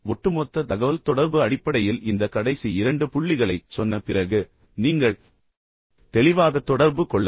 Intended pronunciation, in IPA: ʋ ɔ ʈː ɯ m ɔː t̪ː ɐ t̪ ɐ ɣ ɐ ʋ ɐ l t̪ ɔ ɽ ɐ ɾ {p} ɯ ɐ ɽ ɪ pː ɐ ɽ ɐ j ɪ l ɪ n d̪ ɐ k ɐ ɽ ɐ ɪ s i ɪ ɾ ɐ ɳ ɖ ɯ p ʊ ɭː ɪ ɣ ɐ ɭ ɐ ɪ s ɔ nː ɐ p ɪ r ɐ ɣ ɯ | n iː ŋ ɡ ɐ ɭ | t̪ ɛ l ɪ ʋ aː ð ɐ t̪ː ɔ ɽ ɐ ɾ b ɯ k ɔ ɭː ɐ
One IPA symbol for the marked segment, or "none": b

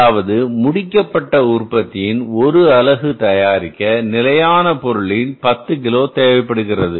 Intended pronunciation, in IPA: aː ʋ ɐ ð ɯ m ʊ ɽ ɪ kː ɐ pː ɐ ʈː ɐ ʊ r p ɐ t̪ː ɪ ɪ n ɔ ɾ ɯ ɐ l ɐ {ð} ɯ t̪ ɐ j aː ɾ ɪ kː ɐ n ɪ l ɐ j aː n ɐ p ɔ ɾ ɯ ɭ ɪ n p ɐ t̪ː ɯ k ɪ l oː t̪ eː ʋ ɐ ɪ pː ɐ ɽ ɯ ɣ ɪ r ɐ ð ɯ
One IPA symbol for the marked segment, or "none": ɣ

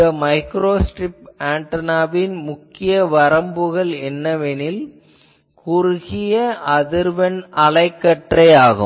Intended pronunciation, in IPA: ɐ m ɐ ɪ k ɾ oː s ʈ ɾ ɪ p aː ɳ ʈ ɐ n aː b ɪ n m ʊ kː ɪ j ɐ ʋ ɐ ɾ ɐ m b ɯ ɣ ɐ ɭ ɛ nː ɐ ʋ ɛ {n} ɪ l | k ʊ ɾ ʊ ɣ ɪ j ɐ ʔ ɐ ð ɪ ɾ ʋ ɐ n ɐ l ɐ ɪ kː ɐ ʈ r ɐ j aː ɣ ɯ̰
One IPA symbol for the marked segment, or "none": n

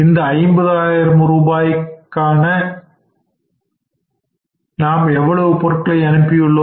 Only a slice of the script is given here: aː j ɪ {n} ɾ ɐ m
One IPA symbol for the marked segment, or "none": none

